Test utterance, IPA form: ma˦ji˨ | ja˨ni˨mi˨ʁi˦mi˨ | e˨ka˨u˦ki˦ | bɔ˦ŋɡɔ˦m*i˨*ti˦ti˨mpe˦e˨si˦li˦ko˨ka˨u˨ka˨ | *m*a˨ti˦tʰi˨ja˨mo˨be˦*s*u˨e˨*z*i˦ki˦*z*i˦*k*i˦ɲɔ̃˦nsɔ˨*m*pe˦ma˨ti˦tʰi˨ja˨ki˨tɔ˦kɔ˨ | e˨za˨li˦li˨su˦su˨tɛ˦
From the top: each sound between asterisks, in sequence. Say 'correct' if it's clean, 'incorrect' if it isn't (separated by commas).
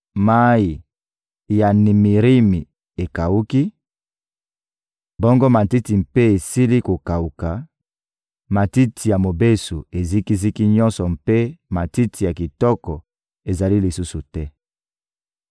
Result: incorrect, correct, correct, correct, correct, correct, correct